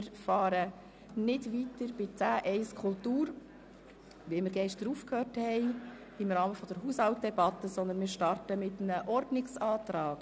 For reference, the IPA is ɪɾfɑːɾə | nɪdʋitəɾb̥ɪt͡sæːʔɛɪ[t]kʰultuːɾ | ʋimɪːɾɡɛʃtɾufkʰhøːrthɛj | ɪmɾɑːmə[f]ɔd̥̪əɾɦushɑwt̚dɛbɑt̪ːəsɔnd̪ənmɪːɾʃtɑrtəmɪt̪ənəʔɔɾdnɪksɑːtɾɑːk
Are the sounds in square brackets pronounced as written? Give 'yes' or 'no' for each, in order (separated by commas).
no, yes